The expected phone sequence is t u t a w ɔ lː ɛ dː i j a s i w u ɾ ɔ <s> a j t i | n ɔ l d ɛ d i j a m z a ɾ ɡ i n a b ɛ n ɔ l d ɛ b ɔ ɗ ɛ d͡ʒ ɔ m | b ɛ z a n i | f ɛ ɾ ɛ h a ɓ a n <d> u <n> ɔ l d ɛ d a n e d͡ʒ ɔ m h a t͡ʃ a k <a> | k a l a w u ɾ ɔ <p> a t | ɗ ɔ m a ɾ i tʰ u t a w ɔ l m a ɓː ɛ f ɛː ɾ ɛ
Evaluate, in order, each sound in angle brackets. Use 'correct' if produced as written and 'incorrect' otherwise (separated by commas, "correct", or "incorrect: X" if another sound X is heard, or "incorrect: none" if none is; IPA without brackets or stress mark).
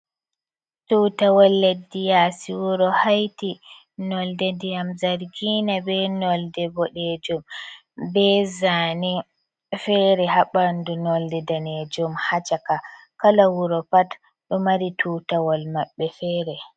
incorrect: h, correct, correct, correct, correct